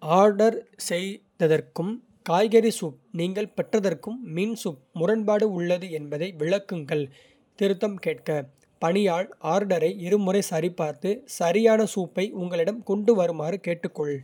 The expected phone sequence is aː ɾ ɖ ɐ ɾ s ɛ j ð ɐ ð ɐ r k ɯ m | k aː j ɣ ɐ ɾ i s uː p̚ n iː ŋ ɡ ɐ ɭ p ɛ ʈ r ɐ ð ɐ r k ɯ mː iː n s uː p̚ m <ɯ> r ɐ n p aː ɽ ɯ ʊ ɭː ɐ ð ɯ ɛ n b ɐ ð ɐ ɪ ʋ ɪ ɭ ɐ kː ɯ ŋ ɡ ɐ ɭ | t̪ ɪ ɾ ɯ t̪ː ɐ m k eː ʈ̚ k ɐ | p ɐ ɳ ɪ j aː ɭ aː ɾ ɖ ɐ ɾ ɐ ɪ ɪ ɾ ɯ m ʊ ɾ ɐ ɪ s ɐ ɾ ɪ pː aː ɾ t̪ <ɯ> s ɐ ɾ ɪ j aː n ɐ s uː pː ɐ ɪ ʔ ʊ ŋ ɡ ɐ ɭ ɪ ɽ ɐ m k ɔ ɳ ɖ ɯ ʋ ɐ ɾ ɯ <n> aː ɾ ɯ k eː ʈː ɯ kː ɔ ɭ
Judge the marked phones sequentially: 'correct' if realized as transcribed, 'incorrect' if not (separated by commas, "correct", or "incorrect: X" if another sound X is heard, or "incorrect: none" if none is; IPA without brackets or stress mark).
incorrect: ʊ, correct, incorrect: m